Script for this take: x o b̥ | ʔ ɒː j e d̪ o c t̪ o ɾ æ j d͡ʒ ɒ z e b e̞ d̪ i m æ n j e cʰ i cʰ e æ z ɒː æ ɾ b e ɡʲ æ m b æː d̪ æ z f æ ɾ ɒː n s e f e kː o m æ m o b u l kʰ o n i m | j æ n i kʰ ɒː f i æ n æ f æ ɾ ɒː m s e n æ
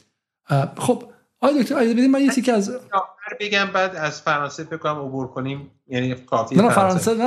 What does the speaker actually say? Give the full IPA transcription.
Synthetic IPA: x o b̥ | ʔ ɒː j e d̪ o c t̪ o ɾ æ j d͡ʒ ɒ z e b e̞ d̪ i m æ n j e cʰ i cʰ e æ z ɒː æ ɾ b e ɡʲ æ m b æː d̪ æ z f æ ɾ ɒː n s e f e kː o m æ m o b u ɾ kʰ o n i m | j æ n i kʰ ɒː f i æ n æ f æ ɾ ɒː n s e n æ